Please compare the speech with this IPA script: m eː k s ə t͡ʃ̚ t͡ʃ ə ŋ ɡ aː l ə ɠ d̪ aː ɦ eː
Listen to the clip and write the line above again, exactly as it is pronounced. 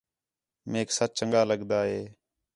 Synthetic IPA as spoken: m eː k s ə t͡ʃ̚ t͡ʃ ə ŋ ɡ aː l ə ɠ d̪ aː ɦ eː